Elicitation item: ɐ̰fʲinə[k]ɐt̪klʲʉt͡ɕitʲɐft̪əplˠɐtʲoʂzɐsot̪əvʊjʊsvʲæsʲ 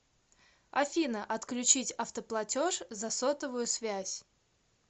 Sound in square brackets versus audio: incorrect: ʔ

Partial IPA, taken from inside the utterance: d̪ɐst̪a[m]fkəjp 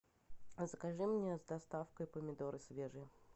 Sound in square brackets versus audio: incorrect: none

